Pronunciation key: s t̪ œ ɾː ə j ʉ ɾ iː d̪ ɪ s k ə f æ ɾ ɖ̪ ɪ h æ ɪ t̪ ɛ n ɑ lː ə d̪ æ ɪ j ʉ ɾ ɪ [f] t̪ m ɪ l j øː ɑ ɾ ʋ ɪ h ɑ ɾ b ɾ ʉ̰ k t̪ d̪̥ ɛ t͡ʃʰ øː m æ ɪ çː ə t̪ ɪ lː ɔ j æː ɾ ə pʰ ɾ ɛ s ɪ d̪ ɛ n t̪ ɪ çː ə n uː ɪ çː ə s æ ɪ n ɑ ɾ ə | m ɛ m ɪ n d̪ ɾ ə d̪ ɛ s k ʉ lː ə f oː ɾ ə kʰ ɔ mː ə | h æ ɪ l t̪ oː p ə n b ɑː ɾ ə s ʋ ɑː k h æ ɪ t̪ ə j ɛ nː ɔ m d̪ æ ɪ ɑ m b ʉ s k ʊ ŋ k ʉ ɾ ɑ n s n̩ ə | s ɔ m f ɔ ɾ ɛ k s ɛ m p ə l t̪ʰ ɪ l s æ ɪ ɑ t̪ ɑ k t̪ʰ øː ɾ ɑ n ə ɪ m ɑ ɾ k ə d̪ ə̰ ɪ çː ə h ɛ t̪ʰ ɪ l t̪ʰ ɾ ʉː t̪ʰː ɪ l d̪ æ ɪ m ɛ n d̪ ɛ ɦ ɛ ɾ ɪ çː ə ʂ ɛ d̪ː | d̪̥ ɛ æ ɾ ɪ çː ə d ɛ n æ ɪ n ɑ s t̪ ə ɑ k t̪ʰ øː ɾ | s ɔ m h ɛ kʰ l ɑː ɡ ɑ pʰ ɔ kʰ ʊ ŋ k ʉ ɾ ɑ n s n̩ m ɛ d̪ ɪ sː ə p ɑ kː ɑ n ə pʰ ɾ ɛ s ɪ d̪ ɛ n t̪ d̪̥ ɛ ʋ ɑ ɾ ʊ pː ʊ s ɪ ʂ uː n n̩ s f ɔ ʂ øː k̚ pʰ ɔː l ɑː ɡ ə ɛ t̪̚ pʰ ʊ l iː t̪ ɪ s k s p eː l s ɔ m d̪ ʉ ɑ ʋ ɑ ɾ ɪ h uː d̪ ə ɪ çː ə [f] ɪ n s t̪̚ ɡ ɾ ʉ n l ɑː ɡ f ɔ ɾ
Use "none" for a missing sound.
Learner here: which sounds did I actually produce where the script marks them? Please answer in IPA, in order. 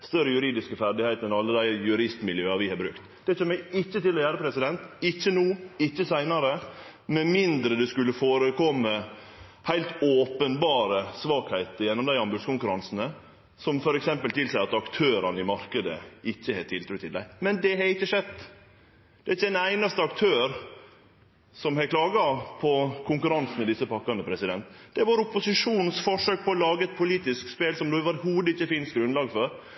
s, f

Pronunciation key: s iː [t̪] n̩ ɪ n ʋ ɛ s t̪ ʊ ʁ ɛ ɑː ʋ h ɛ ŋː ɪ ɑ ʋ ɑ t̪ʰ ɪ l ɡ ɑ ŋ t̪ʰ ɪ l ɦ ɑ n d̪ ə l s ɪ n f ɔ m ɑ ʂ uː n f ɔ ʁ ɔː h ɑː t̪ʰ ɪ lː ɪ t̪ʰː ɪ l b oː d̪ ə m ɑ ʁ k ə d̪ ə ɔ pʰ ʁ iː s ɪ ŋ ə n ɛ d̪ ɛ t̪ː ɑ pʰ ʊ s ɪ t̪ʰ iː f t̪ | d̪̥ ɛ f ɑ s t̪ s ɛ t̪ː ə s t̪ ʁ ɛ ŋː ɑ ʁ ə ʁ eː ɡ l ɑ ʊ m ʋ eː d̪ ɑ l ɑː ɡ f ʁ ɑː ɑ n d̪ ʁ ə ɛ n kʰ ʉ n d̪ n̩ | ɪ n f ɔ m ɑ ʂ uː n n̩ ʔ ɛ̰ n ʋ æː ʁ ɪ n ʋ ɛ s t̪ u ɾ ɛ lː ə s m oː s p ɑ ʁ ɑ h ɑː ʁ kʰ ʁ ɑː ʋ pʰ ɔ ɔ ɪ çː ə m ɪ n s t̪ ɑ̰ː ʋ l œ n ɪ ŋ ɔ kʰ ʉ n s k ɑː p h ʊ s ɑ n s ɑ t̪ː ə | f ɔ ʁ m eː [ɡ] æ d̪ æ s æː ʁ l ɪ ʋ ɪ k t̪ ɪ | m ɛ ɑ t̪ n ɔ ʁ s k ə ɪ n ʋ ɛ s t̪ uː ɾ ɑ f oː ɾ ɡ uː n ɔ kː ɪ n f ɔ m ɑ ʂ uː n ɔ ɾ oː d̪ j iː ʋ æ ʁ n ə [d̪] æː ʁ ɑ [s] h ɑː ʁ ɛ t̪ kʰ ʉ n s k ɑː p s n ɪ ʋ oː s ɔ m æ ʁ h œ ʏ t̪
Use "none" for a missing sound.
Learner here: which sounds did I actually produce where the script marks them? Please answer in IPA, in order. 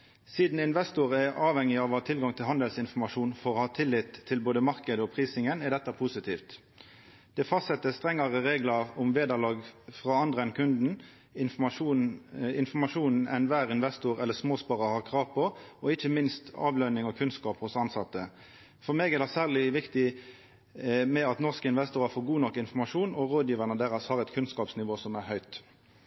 d̪, ɡ, d̪, s

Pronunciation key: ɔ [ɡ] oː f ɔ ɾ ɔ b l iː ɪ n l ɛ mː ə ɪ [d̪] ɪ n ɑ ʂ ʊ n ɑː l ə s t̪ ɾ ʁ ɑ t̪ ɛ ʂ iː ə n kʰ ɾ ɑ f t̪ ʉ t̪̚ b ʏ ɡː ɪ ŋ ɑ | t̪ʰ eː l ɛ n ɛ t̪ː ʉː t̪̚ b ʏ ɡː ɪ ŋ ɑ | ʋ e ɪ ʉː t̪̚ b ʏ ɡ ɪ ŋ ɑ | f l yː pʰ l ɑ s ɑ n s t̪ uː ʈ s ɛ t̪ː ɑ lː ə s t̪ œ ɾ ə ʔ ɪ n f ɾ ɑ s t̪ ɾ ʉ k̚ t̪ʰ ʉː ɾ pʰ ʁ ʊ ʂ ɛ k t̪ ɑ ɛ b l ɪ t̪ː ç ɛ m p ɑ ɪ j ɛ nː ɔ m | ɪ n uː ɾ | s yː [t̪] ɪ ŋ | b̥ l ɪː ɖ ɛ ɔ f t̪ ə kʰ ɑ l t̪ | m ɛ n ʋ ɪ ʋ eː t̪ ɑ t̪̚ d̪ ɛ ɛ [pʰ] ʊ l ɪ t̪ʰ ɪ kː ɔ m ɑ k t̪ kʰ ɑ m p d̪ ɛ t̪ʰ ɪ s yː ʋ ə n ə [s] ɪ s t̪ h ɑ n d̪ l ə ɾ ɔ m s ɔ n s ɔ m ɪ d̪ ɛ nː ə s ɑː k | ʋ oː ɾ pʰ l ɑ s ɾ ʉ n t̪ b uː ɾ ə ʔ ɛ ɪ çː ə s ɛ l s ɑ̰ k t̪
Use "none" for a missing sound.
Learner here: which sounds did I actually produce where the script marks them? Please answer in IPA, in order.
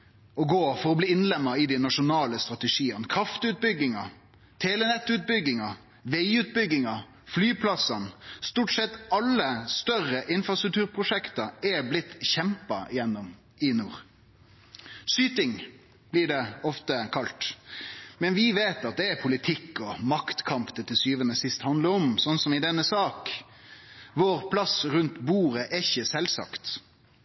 ɡ, d̪, t̪, pʰ, s

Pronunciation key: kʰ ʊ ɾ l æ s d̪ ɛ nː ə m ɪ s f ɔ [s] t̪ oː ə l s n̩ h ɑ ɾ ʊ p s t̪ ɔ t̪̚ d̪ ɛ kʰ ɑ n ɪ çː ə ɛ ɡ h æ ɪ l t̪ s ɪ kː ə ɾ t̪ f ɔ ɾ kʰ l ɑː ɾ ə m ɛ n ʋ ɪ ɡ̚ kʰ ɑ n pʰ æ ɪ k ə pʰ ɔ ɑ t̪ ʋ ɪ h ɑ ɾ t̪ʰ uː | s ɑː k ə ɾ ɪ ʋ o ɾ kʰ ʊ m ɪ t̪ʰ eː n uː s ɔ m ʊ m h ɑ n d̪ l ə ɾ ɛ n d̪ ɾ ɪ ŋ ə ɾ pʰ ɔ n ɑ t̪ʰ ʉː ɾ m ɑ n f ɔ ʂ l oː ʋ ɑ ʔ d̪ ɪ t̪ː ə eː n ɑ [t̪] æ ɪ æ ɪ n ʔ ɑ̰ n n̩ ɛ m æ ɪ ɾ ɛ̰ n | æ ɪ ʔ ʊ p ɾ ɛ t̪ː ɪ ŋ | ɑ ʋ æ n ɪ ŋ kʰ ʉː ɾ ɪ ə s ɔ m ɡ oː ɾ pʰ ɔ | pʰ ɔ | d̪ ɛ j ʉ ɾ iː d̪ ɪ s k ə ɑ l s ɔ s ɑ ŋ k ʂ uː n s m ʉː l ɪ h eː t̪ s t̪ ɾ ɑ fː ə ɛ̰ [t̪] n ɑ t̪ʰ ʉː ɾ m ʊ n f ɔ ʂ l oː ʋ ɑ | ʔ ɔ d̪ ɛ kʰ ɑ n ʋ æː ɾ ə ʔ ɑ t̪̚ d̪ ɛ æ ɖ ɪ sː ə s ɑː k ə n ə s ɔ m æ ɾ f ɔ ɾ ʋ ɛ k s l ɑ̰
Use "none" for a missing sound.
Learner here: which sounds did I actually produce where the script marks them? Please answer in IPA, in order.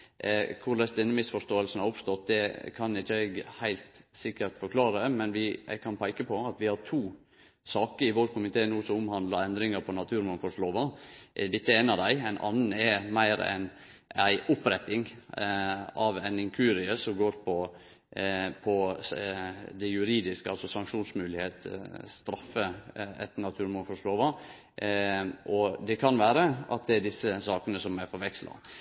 ʂ, d̪, t̪

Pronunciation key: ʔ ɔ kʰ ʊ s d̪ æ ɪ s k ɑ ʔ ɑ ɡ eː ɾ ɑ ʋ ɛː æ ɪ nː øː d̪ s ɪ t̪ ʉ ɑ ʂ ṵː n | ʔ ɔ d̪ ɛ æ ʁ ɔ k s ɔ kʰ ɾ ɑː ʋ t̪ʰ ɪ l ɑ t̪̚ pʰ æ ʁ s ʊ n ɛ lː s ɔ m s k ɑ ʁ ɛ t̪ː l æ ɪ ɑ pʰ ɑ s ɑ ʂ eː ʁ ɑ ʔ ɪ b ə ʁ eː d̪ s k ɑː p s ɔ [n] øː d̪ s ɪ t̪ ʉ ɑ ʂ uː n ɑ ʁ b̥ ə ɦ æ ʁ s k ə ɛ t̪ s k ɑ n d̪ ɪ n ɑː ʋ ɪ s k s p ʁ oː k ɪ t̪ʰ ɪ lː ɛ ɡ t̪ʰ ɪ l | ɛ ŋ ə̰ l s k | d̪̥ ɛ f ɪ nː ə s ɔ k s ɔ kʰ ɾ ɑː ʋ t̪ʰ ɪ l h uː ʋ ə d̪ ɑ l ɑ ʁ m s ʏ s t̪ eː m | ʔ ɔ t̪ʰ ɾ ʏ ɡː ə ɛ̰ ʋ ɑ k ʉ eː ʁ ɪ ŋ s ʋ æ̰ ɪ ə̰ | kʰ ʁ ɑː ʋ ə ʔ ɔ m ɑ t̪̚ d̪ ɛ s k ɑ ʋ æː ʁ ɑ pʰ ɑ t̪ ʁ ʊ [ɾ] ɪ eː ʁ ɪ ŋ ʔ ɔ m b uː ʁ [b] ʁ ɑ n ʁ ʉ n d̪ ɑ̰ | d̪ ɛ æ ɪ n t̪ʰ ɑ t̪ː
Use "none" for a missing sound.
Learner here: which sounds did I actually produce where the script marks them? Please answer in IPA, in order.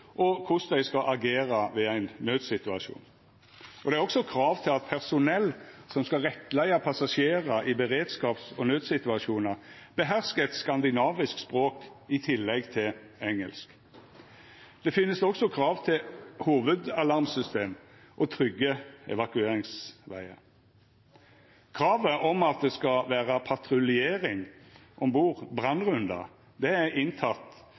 n, l, b

